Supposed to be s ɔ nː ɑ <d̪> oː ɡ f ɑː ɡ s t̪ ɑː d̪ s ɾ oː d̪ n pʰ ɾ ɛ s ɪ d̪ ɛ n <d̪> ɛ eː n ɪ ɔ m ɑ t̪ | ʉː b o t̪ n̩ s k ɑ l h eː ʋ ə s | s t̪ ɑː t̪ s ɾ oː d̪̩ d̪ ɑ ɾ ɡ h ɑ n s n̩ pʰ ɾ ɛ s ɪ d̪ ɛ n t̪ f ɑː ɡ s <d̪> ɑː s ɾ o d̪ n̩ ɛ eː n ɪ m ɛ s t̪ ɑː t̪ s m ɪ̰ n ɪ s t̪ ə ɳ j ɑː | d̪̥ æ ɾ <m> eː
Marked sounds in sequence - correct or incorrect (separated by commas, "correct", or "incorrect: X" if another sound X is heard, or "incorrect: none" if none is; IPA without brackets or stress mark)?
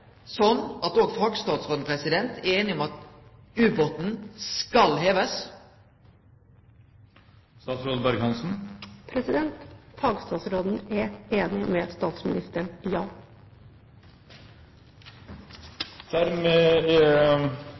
incorrect: t̪, incorrect: t̪, incorrect: t̪, correct